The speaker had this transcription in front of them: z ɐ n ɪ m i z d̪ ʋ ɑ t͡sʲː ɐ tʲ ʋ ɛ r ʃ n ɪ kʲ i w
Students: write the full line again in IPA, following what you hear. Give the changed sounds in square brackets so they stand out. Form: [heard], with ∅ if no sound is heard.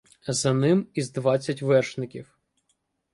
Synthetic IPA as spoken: z ɐ n ɪ m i z d̪ ʋ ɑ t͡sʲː ɐ tʲ ʋ ɛ r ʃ n ɪ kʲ i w